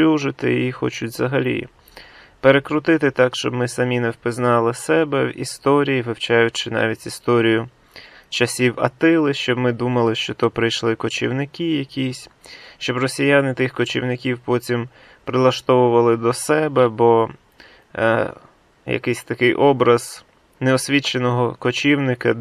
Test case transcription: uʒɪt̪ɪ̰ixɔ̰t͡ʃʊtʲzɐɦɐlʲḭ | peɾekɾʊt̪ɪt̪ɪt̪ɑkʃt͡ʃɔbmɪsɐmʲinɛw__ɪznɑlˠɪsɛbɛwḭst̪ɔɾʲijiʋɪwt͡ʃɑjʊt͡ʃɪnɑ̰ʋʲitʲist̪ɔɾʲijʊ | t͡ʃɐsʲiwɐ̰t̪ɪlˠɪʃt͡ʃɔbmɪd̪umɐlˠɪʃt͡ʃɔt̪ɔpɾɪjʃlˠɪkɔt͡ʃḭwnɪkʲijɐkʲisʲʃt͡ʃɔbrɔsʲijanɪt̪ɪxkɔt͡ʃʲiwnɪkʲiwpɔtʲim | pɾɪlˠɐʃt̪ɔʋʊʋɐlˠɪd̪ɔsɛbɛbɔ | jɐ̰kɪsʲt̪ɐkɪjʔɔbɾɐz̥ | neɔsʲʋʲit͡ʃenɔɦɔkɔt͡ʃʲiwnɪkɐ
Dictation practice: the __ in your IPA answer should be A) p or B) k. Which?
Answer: A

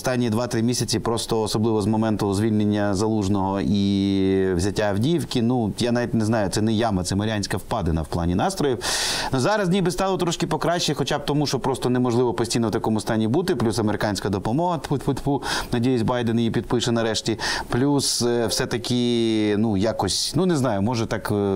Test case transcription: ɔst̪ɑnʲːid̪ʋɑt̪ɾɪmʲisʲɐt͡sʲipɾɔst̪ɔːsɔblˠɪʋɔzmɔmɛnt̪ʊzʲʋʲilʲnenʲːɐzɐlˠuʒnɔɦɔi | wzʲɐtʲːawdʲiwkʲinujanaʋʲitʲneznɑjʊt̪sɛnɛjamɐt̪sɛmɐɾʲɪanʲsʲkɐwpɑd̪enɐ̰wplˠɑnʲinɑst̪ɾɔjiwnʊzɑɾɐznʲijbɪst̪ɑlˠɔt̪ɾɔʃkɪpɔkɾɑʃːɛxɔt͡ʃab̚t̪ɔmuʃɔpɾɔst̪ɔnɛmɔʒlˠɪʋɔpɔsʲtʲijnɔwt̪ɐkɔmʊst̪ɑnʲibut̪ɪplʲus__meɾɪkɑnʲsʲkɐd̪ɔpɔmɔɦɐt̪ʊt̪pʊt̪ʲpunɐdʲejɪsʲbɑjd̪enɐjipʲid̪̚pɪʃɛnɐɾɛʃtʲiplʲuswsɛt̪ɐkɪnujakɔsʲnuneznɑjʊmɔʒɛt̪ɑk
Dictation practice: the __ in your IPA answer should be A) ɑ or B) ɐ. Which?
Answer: B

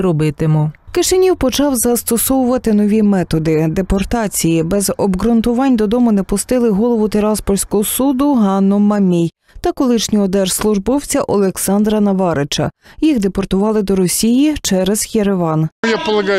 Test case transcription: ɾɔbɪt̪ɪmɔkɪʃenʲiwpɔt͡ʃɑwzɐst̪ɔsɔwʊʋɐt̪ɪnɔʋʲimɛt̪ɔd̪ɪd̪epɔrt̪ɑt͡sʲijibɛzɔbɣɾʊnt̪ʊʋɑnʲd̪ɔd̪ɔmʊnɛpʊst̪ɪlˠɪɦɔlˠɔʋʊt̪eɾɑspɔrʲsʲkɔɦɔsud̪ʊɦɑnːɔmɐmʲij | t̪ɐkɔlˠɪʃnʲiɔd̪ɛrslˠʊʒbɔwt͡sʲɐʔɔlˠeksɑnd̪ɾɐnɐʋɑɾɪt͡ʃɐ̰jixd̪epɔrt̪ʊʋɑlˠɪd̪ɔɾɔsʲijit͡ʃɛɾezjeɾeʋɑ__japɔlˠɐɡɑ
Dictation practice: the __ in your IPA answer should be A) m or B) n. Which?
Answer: B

